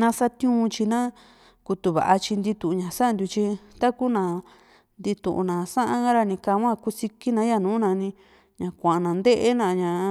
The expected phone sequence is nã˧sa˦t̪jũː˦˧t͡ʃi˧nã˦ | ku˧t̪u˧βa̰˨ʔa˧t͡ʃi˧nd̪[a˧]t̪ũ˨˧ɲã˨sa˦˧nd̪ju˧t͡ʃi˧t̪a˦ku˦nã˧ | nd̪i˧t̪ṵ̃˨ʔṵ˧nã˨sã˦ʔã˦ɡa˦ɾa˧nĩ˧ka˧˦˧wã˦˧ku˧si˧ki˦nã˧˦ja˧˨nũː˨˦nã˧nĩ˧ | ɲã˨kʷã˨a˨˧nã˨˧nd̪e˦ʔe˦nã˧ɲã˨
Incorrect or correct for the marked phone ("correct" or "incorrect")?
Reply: incorrect